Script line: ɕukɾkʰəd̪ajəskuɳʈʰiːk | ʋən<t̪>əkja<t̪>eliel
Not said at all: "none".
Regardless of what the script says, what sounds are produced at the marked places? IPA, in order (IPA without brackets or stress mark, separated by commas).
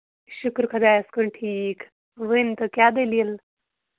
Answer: t̪, d̪